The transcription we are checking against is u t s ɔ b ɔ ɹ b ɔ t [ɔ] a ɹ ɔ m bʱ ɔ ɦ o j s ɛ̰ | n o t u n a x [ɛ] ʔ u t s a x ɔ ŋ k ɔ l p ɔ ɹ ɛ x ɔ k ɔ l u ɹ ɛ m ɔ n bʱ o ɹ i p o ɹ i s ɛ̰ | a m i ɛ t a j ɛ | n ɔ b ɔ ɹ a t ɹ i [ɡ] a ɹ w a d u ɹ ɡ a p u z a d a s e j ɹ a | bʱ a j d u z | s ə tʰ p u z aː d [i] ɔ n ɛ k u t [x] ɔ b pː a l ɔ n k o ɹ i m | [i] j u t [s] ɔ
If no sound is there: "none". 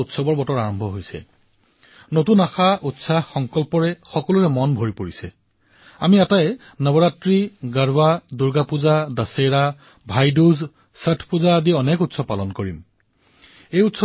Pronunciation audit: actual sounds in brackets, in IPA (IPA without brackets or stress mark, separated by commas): ɔ, a, ɡ, i, s, e, s